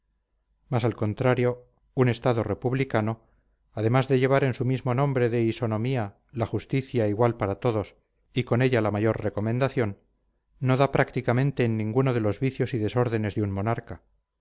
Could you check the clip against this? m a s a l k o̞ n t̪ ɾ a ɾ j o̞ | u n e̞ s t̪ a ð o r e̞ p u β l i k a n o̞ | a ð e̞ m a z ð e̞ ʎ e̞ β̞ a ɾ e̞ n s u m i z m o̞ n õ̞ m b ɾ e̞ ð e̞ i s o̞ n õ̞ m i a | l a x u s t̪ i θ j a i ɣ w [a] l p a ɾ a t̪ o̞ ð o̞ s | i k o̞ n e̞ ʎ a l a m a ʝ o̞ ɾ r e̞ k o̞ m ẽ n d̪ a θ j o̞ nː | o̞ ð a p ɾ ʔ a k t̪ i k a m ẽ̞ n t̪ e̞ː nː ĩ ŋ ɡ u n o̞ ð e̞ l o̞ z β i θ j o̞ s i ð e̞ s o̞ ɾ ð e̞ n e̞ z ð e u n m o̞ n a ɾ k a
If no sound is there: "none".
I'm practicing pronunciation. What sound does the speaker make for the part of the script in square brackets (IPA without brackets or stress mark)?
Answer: a